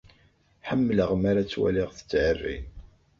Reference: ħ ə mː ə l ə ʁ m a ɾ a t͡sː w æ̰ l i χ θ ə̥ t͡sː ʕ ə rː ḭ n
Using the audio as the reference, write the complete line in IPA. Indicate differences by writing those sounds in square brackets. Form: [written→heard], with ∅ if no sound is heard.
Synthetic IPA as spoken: ħ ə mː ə l ə ʁ m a ɾ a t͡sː w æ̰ l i [χ→ʁ] θ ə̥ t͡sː ʕ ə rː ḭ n